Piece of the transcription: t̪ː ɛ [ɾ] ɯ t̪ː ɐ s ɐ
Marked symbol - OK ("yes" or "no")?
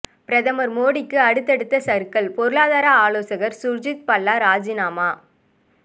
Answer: no